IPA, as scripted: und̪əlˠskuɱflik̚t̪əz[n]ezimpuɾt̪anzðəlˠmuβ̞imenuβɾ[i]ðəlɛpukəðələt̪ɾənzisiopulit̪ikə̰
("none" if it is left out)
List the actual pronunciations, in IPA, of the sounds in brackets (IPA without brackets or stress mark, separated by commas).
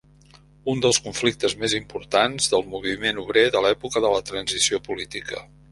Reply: m, e